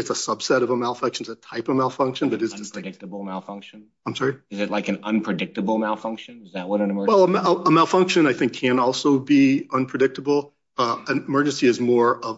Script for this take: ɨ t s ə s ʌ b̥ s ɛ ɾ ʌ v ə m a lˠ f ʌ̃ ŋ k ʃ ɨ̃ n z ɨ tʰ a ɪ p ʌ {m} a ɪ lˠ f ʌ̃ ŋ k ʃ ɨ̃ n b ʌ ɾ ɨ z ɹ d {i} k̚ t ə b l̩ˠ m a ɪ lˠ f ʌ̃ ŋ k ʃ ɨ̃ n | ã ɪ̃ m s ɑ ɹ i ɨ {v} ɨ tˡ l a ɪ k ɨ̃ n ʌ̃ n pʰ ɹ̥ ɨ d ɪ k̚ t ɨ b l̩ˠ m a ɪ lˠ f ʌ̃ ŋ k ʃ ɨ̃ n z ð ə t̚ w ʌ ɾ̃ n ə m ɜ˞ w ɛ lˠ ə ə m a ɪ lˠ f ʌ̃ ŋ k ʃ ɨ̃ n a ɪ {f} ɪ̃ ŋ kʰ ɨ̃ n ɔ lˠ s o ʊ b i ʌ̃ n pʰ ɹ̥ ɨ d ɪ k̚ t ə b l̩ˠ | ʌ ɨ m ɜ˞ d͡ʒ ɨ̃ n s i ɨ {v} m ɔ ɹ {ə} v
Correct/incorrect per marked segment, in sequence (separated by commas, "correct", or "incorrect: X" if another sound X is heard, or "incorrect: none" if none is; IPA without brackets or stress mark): correct, incorrect: ɪ, incorrect: z, incorrect: θ, incorrect: z, incorrect: ʌ